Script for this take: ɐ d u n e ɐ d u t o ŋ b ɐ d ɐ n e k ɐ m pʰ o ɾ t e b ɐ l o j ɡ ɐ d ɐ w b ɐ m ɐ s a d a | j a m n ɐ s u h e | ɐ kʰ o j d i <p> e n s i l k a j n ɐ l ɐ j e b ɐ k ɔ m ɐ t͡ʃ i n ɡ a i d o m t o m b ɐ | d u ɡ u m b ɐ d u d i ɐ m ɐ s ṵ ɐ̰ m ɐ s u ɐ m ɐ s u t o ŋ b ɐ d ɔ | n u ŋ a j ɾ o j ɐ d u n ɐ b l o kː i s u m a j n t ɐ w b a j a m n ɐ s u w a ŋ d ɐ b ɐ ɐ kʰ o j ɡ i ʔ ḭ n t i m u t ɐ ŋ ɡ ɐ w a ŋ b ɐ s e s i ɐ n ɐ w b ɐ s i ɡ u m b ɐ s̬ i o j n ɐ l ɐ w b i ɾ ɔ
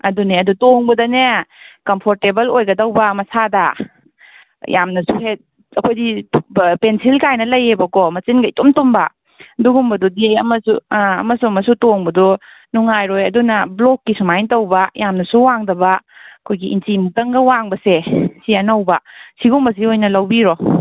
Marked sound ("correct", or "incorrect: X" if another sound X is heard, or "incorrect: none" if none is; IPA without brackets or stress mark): correct